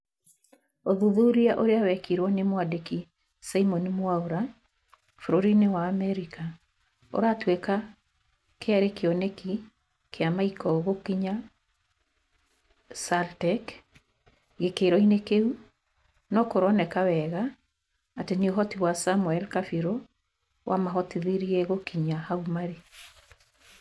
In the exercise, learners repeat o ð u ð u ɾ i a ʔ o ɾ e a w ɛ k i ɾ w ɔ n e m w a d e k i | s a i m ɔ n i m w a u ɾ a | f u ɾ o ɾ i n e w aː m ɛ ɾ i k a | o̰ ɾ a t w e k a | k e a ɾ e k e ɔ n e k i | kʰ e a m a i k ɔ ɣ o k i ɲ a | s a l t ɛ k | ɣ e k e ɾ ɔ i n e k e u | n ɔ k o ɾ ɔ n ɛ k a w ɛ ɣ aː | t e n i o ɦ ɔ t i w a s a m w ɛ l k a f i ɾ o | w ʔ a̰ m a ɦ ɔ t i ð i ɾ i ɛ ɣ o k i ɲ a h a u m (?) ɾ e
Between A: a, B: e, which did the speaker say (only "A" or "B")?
A